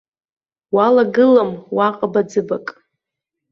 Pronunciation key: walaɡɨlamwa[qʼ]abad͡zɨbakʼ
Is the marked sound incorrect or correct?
correct